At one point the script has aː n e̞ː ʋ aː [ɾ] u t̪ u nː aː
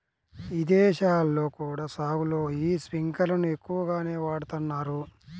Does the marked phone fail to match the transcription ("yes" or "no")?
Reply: yes